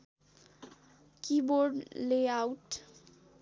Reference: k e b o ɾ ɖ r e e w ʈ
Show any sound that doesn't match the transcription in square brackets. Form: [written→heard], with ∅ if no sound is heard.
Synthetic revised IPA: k [e→i] b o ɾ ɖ [r→l] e [e→a] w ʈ